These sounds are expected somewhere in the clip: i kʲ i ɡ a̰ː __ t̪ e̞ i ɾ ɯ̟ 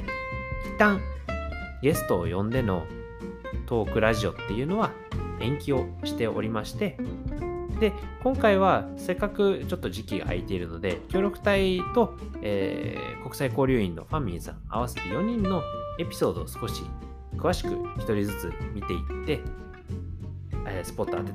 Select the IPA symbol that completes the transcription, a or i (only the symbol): i